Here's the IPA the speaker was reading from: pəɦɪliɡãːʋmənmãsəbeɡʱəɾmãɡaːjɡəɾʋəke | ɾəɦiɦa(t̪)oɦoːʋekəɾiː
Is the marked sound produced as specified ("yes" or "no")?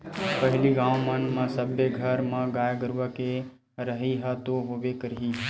yes